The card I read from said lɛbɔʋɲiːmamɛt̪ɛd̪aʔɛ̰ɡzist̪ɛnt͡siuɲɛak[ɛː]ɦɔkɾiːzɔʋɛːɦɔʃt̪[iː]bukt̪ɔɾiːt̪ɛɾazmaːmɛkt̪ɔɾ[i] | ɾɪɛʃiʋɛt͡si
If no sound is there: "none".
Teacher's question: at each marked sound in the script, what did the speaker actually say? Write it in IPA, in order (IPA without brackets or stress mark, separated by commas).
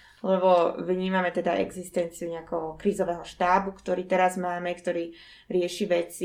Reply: ɛ, aː, iː